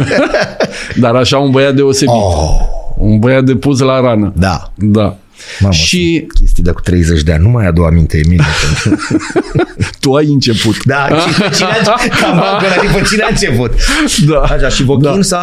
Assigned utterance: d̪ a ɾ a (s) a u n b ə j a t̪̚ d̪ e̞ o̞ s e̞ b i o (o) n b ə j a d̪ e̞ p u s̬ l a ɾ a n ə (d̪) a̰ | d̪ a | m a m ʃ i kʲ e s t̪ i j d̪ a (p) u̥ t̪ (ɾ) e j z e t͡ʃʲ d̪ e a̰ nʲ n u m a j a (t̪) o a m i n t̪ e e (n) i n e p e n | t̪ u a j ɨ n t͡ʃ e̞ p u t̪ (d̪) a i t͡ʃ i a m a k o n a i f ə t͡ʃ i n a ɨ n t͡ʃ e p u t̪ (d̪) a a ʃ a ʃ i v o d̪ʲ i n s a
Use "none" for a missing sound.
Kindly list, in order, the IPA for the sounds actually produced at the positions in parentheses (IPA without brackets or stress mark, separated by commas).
ʃ, u, d̪, k, ɾ, d̪, m, d̪, d̪